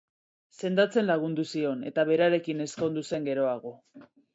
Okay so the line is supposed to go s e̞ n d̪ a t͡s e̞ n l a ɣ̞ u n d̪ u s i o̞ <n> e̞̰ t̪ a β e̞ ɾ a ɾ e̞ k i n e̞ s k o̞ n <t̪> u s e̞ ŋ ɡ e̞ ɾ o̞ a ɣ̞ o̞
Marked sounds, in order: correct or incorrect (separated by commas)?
correct, incorrect